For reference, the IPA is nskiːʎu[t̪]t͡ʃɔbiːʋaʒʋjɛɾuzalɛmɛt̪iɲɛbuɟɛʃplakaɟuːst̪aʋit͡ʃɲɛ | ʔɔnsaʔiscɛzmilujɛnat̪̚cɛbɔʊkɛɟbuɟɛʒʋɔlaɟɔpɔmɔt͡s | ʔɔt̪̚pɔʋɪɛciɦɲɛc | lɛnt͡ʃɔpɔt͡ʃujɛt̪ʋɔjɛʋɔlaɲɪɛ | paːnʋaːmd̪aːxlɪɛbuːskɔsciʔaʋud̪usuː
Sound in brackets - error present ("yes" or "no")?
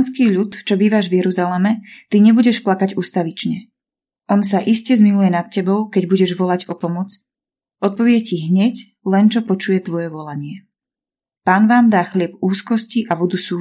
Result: no